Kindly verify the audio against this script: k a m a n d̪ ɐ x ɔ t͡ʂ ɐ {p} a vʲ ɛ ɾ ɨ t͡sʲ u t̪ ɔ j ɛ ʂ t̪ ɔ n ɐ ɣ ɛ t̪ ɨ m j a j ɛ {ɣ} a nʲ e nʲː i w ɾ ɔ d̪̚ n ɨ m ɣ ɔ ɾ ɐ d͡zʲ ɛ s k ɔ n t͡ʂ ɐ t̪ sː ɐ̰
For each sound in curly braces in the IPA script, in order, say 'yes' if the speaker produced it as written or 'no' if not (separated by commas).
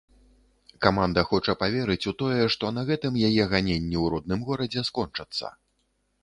yes, yes